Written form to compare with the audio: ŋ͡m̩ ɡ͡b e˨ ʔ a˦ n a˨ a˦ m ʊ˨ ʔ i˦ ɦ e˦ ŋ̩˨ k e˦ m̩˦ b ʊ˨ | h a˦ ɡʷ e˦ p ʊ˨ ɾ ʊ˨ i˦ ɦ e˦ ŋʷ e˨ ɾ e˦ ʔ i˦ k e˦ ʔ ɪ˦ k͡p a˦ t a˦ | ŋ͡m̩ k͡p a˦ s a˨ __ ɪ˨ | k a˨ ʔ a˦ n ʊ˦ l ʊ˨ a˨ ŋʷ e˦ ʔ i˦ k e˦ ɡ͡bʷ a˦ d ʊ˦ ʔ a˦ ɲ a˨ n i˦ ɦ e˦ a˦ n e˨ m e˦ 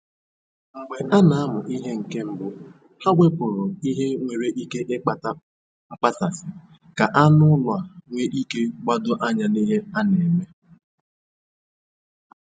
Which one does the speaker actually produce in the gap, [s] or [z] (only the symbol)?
s